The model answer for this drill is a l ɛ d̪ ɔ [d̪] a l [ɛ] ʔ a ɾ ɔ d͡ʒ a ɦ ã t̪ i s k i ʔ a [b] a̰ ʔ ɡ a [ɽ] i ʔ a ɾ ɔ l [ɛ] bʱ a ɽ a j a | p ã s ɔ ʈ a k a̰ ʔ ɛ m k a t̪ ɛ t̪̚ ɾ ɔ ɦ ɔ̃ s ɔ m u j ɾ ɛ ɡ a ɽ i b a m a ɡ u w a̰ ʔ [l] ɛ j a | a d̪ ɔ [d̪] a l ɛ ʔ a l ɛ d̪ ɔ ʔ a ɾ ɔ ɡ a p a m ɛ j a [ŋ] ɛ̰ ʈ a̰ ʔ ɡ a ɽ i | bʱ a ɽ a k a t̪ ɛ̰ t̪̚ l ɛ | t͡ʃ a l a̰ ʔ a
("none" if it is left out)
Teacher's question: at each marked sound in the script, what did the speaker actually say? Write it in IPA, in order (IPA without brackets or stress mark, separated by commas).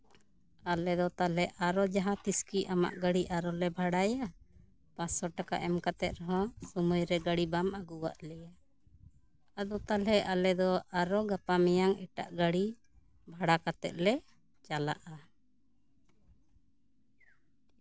t̪, ɛ, m, ɽ, ɛ, l, t̪, ŋ